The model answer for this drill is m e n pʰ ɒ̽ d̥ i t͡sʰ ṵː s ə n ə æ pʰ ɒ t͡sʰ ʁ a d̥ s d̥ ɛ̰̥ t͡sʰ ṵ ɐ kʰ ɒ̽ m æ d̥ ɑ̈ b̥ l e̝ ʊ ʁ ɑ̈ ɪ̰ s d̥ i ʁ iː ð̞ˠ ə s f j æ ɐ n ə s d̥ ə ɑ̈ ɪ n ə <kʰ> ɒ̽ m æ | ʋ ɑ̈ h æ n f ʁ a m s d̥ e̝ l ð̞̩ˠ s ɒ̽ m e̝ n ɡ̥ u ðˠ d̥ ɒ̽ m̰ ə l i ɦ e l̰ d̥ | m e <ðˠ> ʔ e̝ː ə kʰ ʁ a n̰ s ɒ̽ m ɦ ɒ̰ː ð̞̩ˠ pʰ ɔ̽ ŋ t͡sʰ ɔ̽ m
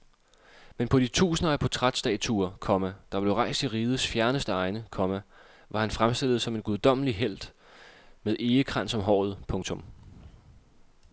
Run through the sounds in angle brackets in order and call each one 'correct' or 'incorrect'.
correct, correct

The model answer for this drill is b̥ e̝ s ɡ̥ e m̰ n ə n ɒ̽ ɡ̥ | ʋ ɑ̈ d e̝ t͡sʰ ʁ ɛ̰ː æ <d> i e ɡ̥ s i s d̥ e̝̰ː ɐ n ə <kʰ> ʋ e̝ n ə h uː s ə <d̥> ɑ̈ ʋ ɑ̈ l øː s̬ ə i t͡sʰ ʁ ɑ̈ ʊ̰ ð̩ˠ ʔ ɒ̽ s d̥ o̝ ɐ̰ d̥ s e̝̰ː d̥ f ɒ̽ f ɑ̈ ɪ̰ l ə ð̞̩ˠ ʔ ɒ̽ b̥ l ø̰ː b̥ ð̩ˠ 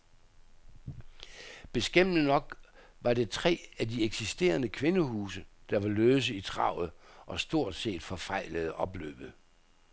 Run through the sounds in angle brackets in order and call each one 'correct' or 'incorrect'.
correct, correct, correct

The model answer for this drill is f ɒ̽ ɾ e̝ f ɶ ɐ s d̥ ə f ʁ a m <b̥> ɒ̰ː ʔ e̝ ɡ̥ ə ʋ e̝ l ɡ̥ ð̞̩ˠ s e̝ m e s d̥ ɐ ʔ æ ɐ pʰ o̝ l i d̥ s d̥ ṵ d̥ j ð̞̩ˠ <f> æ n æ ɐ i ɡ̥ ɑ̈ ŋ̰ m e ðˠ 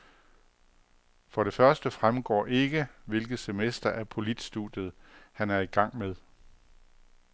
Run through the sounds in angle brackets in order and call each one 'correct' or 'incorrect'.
incorrect, incorrect

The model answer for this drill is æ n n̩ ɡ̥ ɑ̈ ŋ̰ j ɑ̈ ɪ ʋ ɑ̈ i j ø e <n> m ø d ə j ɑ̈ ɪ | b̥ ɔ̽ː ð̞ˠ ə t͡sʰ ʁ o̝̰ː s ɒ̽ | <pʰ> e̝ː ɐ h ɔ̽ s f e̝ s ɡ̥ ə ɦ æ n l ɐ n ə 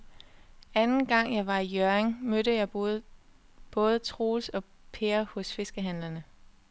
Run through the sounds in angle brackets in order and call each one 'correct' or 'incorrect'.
incorrect, correct

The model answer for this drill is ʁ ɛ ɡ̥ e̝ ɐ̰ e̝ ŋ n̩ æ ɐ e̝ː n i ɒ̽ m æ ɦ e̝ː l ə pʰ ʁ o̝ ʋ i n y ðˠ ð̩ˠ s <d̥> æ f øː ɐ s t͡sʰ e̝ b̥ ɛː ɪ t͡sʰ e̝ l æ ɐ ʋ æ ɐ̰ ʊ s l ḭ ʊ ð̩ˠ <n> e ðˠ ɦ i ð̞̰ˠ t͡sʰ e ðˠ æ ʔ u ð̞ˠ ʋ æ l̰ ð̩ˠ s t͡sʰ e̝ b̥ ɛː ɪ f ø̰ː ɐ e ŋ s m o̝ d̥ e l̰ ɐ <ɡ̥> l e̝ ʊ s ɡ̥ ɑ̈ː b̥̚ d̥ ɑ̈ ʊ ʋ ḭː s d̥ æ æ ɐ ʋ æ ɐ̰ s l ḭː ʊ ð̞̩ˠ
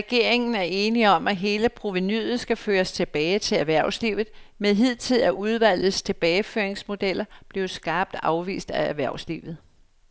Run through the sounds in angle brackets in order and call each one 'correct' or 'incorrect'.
incorrect, incorrect, incorrect

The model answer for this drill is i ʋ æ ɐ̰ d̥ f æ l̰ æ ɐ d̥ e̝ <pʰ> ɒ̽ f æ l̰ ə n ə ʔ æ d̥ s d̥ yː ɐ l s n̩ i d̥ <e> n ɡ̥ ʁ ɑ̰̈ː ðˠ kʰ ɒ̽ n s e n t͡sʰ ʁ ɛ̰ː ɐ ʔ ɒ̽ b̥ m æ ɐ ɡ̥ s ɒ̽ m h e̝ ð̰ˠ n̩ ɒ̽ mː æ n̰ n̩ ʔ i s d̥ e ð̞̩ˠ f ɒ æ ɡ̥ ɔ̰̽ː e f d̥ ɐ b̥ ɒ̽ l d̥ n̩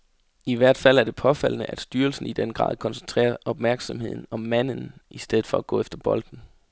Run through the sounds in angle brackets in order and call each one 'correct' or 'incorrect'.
correct, correct

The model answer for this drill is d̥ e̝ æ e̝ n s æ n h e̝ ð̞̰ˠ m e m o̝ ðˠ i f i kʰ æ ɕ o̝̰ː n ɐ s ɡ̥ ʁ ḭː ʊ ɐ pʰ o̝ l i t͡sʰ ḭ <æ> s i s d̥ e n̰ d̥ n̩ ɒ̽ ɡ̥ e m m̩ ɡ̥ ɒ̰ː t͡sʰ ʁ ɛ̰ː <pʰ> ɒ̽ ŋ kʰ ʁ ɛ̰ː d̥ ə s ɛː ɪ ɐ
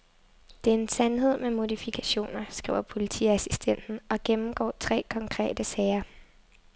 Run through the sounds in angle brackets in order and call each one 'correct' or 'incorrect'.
correct, incorrect

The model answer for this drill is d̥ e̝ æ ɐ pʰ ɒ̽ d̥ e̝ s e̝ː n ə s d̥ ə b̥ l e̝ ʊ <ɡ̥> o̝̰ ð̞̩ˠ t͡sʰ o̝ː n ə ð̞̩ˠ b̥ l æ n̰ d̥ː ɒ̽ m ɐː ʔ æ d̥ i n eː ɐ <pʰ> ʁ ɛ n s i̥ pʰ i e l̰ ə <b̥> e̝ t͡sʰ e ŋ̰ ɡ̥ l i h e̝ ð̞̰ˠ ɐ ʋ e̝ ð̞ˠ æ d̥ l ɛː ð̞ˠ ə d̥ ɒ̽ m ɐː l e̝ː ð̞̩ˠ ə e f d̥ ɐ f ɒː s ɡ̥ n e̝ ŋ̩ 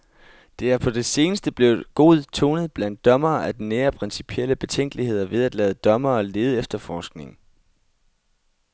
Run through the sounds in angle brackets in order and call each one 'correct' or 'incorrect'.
correct, correct, correct

